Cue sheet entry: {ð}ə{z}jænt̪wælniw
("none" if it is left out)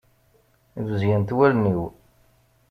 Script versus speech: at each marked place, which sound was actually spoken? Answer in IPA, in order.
ð, z

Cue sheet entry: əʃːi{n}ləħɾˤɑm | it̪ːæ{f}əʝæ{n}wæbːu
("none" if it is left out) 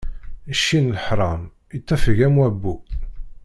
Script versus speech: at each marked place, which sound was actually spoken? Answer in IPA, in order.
n, f, m

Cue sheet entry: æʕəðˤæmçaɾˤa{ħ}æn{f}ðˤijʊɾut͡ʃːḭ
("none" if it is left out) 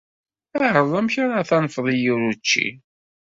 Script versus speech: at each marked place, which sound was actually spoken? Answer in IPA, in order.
θ, f

